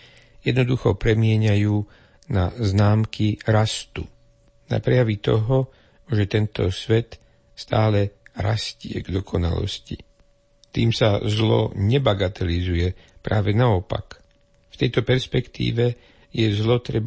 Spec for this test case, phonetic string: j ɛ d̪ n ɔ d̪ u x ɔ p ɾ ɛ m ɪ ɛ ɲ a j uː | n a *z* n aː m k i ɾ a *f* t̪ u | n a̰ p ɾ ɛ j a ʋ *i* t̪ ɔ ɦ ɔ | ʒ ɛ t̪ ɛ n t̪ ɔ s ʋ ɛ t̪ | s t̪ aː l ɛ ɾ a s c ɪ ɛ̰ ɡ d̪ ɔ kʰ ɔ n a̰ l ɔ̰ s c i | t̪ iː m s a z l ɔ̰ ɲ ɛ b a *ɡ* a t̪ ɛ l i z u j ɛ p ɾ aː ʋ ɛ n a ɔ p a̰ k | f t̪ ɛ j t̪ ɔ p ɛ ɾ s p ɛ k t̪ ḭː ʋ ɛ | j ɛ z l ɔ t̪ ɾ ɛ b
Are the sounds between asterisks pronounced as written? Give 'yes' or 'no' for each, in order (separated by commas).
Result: yes, no, yes, yes